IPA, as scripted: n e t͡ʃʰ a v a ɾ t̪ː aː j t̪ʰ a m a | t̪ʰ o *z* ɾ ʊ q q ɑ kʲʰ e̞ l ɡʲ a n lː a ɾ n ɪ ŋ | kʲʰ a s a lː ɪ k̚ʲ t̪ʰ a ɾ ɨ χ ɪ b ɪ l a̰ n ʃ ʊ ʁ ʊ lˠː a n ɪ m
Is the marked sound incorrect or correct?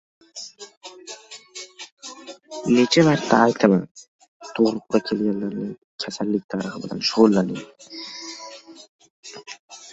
incorrect